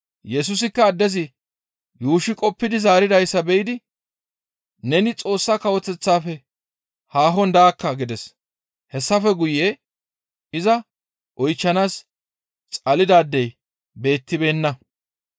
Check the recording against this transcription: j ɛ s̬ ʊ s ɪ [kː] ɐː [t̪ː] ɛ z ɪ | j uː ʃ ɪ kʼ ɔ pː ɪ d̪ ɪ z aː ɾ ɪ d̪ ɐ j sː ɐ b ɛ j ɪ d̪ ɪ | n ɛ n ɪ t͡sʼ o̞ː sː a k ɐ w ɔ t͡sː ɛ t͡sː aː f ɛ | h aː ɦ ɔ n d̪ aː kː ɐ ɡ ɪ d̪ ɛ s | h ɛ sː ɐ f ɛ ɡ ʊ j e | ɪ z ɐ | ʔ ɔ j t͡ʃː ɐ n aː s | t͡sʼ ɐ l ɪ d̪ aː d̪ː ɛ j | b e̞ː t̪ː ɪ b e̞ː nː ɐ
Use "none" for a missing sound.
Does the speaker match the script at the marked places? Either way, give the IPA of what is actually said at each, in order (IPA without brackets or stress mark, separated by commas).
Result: kː, d̪ː